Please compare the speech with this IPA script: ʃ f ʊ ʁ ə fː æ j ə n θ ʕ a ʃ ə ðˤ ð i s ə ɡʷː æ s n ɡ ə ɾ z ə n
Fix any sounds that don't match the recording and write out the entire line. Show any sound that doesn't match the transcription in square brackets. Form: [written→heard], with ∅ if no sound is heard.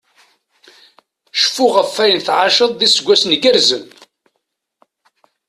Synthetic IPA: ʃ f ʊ ʁ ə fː æ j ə n θ ʕ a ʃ ə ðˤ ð i s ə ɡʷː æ s n ɡ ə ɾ z ə n